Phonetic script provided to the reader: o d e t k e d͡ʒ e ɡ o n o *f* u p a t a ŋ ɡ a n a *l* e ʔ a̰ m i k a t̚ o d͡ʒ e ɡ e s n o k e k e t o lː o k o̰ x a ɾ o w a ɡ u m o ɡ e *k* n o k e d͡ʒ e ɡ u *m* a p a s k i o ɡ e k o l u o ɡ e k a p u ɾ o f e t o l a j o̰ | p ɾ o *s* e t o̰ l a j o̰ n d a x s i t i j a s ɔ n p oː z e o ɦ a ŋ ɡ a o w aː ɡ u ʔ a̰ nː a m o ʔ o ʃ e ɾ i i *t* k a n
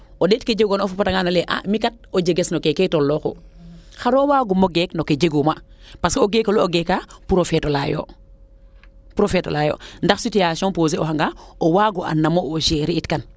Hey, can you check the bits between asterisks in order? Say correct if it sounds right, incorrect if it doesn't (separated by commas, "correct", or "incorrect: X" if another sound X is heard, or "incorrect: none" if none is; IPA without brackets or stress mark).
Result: correct, correct, correct, correct, incorrect: f, correct